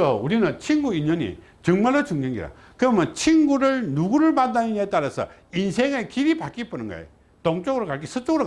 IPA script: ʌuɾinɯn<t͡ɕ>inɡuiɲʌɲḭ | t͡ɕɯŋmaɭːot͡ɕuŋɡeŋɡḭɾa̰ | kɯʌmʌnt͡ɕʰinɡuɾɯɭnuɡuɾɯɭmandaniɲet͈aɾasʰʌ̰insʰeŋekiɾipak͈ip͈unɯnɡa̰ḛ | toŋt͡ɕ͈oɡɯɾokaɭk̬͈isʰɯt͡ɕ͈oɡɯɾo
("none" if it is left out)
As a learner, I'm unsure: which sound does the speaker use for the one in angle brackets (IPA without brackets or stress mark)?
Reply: t͡ɕʰ